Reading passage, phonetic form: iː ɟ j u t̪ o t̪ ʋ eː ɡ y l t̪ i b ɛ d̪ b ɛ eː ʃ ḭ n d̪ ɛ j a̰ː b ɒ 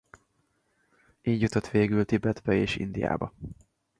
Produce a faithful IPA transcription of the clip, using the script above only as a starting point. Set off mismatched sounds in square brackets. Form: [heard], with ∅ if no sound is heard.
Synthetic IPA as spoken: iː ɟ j u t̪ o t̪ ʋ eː ɡ y l t̪ i b ɛ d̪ b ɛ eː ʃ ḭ n d̪ [i] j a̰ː b ɒ